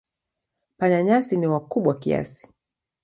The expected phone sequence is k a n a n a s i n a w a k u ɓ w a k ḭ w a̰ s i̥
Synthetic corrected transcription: p a ɲ a ɲ a s i n i w a k u ɓ w a k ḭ a̰ s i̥